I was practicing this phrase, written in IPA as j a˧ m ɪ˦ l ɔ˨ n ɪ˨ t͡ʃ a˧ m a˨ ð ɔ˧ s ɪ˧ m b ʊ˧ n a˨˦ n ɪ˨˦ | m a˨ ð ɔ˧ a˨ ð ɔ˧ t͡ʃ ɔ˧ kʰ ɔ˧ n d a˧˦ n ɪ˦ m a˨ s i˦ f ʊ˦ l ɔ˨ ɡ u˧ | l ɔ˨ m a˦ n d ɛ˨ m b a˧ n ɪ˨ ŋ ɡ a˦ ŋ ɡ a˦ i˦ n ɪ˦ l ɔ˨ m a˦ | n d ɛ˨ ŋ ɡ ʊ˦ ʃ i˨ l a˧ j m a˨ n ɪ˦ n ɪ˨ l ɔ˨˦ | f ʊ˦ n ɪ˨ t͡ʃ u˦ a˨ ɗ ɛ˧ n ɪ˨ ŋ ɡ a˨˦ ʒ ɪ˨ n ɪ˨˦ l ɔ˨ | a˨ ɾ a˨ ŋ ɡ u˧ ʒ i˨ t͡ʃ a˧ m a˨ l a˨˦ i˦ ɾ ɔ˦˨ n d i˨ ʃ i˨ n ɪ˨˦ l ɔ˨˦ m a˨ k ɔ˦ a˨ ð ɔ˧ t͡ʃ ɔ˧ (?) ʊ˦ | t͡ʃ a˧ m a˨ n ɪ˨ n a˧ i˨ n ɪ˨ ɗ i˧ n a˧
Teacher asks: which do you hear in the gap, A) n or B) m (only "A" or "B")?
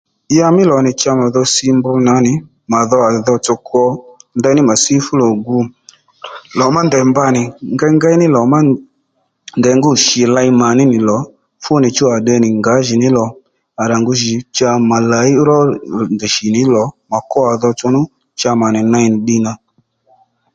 A